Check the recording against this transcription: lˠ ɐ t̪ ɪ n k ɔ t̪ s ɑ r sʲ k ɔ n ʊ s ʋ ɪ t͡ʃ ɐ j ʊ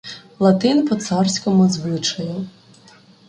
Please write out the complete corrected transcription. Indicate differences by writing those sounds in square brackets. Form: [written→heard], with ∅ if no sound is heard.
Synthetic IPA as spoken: lˠ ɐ t̪ ɪ n [k→p] ɔ t̪ s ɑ r sʲ k ɔ [n→m] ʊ [s→z] ʋ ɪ t͡ʃ ɐ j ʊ